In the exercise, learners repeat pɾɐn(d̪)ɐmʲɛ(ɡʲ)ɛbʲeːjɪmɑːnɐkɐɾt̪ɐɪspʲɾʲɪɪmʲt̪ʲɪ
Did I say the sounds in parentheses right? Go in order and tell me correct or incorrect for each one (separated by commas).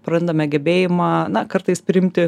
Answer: correct, correct